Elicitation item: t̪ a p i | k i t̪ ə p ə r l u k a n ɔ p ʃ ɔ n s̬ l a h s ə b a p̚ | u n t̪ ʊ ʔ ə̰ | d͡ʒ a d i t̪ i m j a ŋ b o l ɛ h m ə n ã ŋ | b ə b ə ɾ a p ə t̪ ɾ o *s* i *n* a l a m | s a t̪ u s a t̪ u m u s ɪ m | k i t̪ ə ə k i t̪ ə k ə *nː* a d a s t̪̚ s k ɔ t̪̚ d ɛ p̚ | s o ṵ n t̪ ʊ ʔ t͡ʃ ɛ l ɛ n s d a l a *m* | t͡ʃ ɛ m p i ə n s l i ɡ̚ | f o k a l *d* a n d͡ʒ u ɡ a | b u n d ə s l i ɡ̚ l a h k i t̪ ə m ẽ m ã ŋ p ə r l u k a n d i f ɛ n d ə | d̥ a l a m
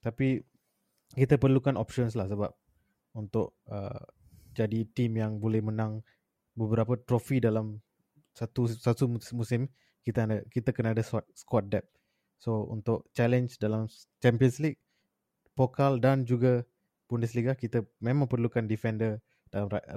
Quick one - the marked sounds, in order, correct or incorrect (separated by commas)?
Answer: incorrect, incorrect, incorrect, correct, correct